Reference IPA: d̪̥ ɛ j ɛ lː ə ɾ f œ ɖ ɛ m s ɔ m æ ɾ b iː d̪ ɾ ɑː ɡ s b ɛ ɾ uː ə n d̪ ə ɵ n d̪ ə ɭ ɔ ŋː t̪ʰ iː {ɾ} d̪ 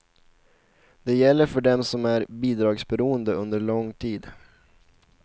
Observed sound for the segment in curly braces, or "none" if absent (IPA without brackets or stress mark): none